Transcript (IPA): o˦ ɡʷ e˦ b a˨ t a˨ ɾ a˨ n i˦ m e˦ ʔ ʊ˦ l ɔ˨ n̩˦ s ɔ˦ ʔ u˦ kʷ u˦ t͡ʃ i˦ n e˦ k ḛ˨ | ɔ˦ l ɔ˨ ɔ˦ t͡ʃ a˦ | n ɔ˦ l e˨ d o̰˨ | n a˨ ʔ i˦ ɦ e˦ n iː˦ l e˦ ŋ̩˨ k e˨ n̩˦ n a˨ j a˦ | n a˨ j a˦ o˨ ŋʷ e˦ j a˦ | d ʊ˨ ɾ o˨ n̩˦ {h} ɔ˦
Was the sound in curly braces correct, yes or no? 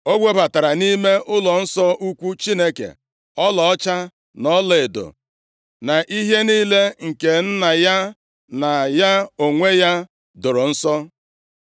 no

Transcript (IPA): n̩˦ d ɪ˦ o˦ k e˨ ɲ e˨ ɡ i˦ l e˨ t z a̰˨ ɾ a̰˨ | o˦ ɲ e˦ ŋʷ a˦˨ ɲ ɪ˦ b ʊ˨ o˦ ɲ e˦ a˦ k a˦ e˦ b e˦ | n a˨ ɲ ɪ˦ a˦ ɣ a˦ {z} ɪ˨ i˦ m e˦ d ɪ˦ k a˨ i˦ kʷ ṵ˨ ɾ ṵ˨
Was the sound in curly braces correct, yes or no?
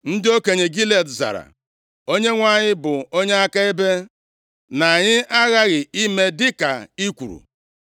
no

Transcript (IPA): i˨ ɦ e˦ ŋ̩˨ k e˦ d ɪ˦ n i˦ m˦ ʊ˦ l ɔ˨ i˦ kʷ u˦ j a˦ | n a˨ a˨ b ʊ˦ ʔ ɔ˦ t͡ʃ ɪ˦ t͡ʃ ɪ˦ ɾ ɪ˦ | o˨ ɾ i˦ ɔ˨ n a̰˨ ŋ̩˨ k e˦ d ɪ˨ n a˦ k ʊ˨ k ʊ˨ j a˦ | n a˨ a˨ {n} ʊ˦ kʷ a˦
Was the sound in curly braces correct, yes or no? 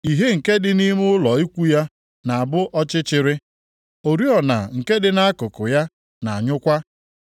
no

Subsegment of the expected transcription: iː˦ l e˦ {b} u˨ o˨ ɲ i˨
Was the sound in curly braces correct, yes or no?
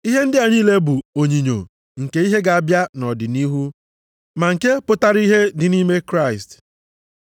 yes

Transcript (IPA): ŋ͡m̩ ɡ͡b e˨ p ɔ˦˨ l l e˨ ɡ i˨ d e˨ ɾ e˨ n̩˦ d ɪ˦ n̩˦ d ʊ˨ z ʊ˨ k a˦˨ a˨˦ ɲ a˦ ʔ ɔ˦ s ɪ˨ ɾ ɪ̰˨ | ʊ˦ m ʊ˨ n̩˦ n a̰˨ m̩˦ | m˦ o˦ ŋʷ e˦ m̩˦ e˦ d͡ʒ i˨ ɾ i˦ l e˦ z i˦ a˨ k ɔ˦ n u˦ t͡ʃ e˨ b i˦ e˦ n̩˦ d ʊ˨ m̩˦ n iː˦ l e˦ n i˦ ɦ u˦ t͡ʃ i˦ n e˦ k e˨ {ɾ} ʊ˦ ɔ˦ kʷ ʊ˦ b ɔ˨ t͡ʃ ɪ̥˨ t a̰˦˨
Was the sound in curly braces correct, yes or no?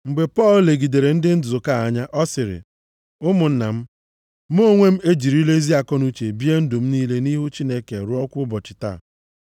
yes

